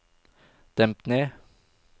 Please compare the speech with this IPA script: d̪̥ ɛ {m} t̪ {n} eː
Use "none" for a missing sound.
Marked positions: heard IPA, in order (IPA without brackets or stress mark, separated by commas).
m, n